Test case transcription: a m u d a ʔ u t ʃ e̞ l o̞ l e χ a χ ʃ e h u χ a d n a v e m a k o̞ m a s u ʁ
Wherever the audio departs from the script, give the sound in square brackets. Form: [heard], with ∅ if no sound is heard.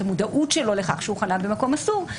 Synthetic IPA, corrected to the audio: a m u d a ʔ u t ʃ e̞ l o̞ l e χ a χ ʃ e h u χ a [∅] n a [b] e m a k o̞ m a s u ʁ

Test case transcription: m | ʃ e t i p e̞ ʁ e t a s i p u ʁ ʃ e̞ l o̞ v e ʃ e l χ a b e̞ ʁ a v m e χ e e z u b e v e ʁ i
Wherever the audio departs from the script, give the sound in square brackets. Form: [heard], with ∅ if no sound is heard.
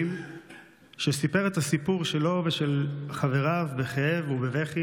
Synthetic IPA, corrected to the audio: m | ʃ e [s] i p e̞ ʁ e t a s i p u ʁ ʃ e̞ l o̞ v e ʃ e l χ a [v] e̞ ʁ a v [b] e χ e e [v] u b e v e [χ] i

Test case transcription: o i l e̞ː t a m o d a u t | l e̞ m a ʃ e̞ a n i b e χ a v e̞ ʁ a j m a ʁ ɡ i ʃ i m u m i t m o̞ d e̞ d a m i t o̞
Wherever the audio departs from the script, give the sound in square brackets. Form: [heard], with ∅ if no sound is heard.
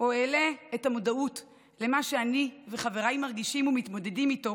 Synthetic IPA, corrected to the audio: o [e] l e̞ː t a m o d a u t | l e̞ m a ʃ e̞ a n i [v] e χ a v e̞ ʁ a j m a ʁ ɡ i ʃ i m u m i t m o̞ d e̞ d [i] m i t o̞

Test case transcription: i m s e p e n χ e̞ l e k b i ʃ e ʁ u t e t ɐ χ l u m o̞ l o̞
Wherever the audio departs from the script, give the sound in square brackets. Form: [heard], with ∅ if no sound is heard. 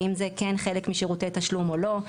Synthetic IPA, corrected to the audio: i m [z] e [k] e n χ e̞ l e k [m] i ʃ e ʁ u t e t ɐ [ʃ] l u m o̞ l o̞

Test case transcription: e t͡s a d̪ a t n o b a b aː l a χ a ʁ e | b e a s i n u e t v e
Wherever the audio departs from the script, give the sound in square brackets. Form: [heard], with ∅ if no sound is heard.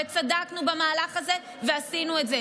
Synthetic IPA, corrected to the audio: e t͡s a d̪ a [k] n [u] b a [m] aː l a χ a [z] e | [v] e a s i n u e t [z] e

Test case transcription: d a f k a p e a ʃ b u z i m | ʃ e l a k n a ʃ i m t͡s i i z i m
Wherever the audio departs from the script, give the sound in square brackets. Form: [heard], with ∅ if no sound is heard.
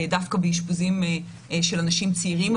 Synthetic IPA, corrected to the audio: d a f k a [b] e [i] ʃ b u z i m | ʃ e l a [∅] n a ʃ i m t͡s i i [ʁ] i m

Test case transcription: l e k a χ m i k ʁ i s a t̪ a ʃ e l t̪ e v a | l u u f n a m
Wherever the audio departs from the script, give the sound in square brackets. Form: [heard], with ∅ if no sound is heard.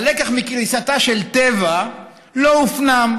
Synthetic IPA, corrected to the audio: l e k a χ m i k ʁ i s a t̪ a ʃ e l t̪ e v a | l [o] u f n a m

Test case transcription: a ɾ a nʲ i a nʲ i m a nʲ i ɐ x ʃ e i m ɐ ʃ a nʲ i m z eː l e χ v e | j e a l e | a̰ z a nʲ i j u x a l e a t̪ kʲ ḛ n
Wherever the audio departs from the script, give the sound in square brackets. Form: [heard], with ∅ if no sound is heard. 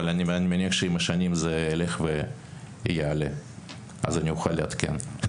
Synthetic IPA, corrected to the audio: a [l] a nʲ i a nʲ i m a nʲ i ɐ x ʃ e i m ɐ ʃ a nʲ i m z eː l e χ v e | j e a l e | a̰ z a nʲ i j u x a l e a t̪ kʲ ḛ n

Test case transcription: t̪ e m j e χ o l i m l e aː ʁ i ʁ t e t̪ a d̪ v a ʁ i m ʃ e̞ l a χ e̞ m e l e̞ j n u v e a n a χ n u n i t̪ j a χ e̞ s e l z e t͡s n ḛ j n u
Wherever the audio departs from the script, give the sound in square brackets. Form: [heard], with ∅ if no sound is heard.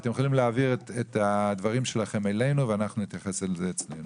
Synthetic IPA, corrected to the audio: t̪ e m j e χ o l i m l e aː [v] i ʁ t e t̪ a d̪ v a ʁ i m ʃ e̞ l a χ e̞ m e l e̞ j n u v e a n a χ n u n i t̪ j a χ e̞ s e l z e t͡s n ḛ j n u

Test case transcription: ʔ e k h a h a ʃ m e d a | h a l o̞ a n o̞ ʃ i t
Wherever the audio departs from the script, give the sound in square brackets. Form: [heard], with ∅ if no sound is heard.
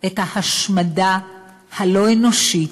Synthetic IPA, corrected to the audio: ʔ e [t] h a h a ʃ m [a] d a | h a l o̞ [e] n o̞ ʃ i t

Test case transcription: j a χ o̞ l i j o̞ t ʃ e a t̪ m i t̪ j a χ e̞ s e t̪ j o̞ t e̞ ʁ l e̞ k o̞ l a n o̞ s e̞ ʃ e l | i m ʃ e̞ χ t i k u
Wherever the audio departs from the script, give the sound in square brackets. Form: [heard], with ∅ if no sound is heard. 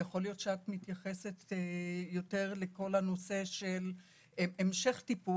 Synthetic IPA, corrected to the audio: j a χ o̞ l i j o̞ t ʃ e a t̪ m i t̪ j a χ e̞ s e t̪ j o̞ t e̞ ʁ l e̞ k o̞ l a n o̞ s e̞ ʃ e l | [e] m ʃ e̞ χ t i [p] u

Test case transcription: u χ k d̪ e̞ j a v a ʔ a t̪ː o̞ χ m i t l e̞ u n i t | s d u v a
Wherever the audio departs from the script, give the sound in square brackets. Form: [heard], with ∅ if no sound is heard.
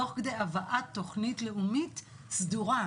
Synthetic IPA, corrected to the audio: [o] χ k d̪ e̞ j a v a ʔ a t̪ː o̞ χ [n] i t l e̞ u [m] i t | s d u [ʁ] a

